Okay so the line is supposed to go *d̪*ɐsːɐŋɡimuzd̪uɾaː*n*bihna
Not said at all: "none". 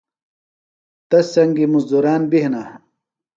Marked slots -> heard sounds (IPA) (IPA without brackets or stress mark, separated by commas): t̪, n